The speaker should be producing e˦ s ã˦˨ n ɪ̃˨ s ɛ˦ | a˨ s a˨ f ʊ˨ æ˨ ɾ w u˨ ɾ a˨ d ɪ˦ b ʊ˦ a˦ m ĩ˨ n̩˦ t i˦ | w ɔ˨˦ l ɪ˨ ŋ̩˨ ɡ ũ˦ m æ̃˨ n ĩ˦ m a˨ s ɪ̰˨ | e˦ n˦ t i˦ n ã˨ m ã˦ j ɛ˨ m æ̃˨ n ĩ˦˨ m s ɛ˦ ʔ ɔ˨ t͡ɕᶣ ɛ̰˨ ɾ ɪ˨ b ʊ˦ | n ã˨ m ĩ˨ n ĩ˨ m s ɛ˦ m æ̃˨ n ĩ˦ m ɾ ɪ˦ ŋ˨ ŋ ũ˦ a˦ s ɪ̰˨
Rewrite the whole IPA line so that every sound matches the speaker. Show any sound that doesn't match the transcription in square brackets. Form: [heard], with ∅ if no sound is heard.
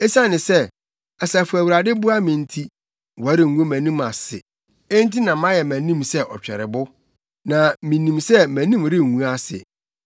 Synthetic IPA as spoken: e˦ s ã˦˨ n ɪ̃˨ s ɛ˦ | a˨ s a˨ f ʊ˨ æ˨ [∅] w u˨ ɾ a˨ d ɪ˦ b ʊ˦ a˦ m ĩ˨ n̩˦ [tʰ] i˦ | w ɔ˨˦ [ɾ] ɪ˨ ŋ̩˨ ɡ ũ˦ m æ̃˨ n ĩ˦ m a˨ s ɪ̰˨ | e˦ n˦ t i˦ n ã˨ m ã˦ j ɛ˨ m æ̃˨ n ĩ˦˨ m s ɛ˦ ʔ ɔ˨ t͡ɕᶣ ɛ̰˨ ɾ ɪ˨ b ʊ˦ | n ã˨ m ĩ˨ n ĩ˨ m s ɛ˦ m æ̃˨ n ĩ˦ m ɾ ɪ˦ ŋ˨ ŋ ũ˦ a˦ s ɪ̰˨

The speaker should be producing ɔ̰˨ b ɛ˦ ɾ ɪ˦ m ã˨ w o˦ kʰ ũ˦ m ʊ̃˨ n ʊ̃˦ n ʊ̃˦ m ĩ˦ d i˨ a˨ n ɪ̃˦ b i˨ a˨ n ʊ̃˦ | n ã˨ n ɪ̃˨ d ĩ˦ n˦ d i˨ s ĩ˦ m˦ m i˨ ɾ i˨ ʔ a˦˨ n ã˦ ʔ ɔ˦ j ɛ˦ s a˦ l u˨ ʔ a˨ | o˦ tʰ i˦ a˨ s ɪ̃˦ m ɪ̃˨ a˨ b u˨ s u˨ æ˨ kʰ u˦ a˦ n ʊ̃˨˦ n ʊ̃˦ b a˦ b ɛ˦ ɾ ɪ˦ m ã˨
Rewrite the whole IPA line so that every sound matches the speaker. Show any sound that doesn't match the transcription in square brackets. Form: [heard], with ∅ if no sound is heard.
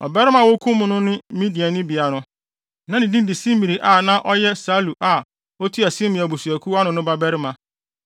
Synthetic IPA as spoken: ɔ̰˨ b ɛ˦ ɾ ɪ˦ m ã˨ w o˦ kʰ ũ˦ m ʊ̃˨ n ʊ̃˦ n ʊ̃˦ m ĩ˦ d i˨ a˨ n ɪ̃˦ b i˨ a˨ n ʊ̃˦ | n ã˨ n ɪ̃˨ d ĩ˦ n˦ d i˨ s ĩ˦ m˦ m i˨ ɾ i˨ ʔ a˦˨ n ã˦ ʔ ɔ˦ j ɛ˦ s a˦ l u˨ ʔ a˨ | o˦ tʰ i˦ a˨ s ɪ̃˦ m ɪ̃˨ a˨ b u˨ s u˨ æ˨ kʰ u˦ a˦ n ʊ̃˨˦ n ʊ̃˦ b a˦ b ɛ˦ ɾ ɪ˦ m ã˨

